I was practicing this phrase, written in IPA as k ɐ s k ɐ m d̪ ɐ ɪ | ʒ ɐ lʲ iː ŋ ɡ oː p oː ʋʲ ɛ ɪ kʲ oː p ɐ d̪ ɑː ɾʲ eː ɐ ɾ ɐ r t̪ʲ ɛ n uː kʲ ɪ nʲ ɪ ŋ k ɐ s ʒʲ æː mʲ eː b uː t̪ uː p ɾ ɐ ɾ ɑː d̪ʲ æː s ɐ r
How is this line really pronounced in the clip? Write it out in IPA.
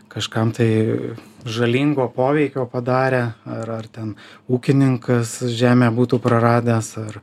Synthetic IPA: k ɐ ʃ k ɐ m t̪ ɐ ɪ | ʒ ɐ lʲ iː ŋ ɡ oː p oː ʋʲ ɛ ɪ kʲ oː p ɐ d̪ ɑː ɾʲ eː ɐ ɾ ɐ r t̪ʲ ɛ n uː kʲ ɪ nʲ ɪ ŋ k ɐ s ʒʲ æː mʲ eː b uː t̪ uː p ɾ ɐ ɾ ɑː d̪ʲ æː s ɐ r